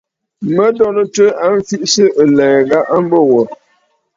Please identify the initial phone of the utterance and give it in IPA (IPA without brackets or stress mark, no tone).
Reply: m